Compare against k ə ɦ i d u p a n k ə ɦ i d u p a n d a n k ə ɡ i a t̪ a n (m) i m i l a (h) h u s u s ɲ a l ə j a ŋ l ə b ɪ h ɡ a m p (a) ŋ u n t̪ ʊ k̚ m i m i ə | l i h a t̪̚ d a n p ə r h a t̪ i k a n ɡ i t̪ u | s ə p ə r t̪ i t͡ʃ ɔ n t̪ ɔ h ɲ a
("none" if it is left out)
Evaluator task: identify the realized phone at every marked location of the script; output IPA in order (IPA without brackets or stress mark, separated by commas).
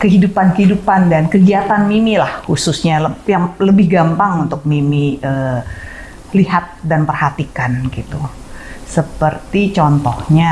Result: m, h, a